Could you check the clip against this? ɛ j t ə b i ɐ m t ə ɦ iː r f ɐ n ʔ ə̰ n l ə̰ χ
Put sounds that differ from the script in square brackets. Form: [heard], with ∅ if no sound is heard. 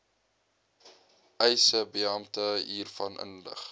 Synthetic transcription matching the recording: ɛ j [s] ə b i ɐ m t ə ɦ iː r f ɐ n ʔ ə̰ n l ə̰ χ